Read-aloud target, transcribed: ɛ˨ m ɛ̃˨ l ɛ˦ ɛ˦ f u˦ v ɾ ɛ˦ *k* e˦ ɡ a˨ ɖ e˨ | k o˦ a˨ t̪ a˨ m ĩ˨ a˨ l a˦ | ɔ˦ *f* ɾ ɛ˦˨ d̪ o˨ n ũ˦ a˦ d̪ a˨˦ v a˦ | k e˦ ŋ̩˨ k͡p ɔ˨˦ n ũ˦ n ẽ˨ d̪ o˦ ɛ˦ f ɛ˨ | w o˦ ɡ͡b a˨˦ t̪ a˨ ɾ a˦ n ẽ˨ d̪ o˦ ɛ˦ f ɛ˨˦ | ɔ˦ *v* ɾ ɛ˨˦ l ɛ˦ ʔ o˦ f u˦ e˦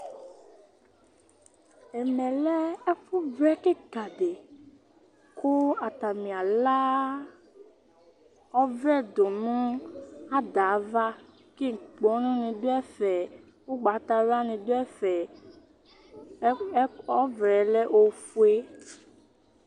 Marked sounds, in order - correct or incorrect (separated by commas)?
correct, incorrect, correct